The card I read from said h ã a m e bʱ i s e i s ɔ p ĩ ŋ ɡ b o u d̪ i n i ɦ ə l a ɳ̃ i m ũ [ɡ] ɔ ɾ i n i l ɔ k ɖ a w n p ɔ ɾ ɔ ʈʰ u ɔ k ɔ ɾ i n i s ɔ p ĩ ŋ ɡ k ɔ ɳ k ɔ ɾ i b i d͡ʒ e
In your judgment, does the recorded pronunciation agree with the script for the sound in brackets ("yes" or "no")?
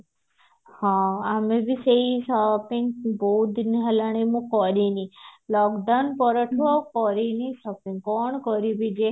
no